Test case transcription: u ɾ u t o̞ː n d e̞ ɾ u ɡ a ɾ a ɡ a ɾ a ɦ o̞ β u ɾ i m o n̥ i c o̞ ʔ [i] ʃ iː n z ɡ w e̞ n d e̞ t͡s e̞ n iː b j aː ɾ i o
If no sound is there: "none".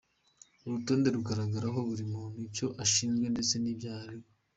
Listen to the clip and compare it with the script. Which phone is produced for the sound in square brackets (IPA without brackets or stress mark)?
a